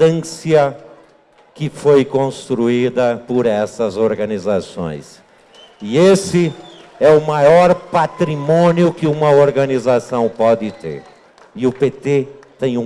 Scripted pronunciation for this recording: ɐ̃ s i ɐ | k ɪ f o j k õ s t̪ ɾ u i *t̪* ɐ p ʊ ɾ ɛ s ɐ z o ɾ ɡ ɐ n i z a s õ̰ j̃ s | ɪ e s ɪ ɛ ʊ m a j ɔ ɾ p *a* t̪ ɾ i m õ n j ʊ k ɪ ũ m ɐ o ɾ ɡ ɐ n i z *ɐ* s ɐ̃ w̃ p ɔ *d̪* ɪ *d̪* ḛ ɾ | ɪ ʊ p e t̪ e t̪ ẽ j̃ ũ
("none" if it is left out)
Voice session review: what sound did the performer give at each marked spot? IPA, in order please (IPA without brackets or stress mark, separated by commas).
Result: d̪, a, a, d̪, t̪